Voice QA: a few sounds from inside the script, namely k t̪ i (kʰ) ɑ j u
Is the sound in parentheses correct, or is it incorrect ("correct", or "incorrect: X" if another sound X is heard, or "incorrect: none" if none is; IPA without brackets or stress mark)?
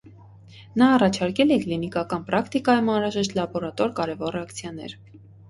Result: incorrect: k